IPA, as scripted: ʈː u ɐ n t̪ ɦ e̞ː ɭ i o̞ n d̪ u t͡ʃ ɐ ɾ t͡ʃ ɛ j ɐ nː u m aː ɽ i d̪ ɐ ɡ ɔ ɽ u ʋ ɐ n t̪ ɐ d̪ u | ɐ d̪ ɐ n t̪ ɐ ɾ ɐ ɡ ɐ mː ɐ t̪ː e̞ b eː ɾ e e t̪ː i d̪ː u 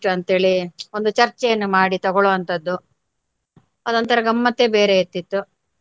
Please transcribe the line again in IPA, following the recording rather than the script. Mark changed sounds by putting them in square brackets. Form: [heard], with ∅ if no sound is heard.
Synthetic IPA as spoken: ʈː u ɐ n t̪ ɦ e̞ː ɭ i o̞ n d̪ u t͡ʃ ɐ ɾ t͡ʃ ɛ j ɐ nː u m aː ɽ i [t̪] ɐ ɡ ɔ [ɭ] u ʋ ɐ n t̪ ɐ [d̪ː] u | ɐ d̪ ɐ n t̪ ɐ ɾ ɐ ɡ ɐ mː ɐ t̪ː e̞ b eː ɾ e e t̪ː i [t̪ː] u